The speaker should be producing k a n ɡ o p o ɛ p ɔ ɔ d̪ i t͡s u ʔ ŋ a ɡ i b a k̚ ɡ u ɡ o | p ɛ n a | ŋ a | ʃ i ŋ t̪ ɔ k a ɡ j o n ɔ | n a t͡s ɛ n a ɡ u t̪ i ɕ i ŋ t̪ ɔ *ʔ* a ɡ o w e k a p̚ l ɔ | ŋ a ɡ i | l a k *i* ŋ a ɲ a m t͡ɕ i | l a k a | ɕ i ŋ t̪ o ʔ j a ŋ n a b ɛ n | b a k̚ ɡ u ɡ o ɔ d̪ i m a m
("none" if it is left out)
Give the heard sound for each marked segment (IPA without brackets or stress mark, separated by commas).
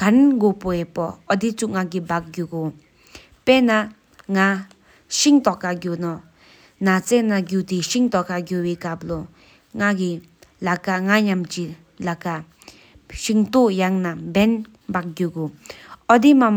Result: k, a